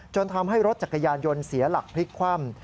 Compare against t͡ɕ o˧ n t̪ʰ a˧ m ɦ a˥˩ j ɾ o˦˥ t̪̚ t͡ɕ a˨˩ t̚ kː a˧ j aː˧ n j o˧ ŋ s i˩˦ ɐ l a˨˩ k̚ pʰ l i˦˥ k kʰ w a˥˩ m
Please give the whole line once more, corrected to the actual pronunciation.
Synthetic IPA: t͡ɕ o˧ n t̪ʰ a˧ m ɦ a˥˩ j ɾ o˦˥ t̪̚ t͡ɕ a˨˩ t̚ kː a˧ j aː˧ n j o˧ n s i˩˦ ɐ l a˨˩ k̚ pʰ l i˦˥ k kʰ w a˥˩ m